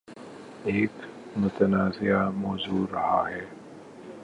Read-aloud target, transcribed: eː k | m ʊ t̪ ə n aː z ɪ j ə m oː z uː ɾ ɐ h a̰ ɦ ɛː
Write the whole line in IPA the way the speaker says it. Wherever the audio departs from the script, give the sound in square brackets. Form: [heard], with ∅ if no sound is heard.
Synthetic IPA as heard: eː k | m ʊ t̪ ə n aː z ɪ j [a] m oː z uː ɾ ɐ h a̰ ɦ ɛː